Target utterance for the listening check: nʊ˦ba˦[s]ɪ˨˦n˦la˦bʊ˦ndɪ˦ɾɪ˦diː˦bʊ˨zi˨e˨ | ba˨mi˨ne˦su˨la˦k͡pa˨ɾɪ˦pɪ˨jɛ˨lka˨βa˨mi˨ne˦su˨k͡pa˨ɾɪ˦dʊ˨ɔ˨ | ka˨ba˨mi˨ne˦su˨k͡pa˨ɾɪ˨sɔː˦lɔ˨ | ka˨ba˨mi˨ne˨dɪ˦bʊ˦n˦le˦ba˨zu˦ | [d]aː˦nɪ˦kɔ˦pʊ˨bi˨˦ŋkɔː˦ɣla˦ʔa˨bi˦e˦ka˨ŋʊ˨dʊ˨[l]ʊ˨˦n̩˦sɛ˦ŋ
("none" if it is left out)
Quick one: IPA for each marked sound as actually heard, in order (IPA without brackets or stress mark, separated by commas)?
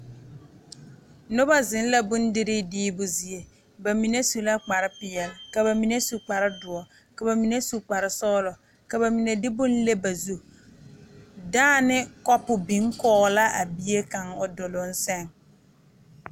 z, d, l